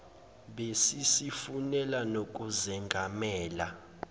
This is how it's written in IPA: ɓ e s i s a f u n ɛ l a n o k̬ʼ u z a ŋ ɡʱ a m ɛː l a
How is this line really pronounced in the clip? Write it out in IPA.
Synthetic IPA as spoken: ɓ e s i s i f u n ɛ l a n o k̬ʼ u z ɛ ŋ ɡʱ a m ɛː l a